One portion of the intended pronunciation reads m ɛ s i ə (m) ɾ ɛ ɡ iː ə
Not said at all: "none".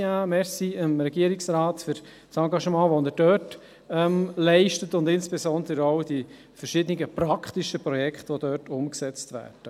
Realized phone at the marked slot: m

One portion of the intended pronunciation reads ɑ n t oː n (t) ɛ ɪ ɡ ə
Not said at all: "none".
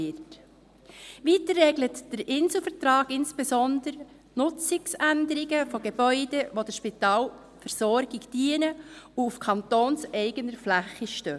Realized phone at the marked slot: s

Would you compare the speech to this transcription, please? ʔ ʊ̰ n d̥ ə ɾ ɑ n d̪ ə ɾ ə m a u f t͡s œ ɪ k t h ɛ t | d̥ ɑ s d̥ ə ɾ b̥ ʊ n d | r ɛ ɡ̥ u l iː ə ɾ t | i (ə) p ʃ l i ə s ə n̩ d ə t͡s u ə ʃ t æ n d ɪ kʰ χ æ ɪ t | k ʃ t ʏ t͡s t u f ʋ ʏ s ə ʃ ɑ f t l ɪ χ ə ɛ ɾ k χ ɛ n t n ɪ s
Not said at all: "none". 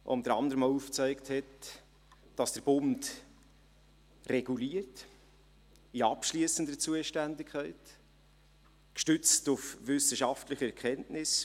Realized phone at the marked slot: ɑ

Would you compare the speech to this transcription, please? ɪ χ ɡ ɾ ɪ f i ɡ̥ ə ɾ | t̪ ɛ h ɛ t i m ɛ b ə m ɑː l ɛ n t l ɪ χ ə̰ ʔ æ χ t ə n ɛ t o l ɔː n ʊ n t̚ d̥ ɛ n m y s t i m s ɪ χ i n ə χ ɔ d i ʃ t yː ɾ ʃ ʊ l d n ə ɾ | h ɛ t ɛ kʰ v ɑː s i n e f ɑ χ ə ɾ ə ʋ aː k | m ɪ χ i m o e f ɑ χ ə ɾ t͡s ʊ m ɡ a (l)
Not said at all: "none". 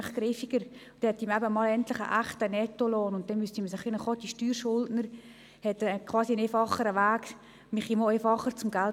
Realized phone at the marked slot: l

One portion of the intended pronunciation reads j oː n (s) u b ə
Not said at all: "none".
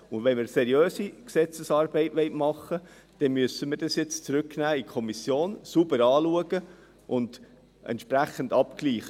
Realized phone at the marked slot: s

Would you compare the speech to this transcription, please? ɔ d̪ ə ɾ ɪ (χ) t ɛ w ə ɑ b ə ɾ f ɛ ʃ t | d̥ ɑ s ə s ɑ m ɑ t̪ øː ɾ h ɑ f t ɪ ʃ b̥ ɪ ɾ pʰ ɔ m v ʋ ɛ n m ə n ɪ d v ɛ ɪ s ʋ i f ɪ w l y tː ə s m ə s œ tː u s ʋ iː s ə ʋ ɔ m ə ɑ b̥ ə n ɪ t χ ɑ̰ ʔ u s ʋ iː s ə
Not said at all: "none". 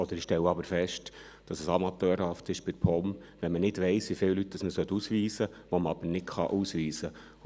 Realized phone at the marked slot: ʃ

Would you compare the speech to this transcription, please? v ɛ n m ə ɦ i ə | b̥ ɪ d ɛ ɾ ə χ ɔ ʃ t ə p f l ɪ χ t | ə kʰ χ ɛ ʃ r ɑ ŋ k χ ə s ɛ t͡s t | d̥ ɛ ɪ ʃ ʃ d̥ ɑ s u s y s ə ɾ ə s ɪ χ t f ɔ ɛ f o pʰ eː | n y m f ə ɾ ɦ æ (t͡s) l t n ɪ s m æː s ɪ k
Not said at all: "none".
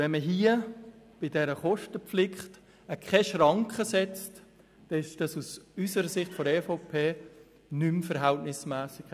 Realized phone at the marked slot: none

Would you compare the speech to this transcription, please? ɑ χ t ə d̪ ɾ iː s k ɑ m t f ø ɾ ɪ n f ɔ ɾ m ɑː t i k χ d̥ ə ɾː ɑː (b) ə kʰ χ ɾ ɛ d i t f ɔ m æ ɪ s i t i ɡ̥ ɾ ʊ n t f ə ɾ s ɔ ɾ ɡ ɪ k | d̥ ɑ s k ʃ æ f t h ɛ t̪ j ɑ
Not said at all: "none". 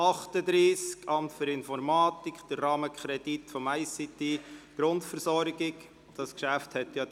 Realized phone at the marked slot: m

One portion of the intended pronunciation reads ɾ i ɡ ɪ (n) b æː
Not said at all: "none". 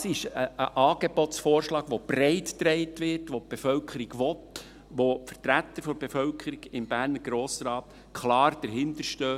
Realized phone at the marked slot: m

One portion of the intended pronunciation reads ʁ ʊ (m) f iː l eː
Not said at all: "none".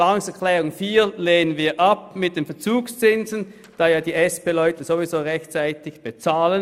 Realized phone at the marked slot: ŋ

